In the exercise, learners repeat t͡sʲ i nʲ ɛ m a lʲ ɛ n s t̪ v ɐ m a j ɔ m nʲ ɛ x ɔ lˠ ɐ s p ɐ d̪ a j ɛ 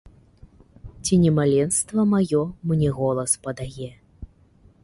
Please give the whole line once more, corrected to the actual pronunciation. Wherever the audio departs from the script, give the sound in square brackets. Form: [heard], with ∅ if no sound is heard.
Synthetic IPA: t͡sʲ i nʲ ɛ m a lʲ ɛ n s t̪ v ɐ m a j ɔ m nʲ ɛ [ɣ] ɔ lˠ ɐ s p ɐ d̪ a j ɛ